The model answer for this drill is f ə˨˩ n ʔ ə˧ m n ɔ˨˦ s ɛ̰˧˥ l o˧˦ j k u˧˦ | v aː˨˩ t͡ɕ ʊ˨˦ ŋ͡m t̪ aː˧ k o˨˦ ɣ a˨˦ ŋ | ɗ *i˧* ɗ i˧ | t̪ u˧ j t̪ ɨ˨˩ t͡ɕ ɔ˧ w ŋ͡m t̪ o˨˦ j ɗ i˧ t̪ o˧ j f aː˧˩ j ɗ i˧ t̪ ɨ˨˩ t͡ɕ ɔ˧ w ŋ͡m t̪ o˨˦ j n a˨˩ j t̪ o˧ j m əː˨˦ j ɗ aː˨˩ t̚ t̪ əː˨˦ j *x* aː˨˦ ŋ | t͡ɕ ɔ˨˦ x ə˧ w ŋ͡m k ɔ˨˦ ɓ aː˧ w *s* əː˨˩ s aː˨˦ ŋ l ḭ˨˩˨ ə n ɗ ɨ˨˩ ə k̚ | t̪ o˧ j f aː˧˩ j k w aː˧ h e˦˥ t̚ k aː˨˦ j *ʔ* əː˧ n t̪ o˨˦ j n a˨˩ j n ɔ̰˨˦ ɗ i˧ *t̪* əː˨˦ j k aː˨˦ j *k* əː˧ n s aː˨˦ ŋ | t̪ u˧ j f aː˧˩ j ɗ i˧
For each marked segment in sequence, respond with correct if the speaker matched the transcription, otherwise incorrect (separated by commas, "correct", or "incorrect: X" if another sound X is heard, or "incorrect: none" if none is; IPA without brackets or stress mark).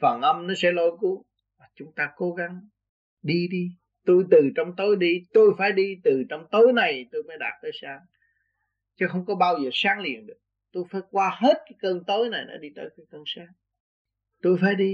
correct, incorrect: s, incorrect: z, incorrect: k, correct, correct